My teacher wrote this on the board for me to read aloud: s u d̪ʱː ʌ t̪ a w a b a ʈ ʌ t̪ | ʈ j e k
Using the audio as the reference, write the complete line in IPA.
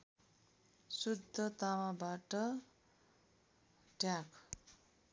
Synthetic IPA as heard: s u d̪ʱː ʌ t̪ a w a b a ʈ ʌ | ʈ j a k